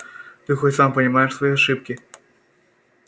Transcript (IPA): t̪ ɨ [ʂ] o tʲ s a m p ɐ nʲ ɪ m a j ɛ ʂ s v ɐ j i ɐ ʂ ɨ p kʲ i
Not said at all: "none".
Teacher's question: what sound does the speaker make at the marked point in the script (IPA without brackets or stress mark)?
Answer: x